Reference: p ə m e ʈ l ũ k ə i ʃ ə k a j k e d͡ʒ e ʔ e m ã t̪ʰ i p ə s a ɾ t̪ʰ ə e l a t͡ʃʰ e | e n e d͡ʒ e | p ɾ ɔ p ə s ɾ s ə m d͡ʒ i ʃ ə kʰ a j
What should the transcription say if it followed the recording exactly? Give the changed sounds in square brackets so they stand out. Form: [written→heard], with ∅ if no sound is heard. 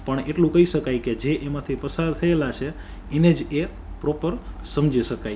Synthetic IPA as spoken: p ə [m→ɳ] e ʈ l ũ k ə i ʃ ə k a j k e d͡ʒ e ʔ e m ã t̪ʰ i p ə s a ɾ t̪ʰ ə e l a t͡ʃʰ e | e n e d͡ʒ e | p ɾ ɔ p ə [s→∅] ɾ s ə m d͡ʒ i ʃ ə [kʰ→k] a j